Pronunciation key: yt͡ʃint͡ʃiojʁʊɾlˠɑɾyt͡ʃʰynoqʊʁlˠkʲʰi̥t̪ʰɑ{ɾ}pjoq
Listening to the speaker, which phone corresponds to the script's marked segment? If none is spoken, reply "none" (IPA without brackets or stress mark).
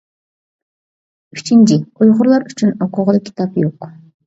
none